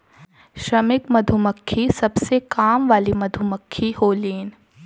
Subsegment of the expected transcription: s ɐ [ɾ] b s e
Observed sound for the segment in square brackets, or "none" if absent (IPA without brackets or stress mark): none